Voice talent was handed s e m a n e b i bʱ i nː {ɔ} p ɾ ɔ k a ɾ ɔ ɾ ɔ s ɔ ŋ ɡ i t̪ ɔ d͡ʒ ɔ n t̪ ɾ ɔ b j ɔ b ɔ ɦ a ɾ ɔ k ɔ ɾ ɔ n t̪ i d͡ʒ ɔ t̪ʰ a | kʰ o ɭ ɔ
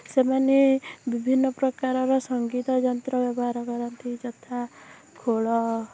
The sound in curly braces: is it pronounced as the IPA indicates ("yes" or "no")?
yes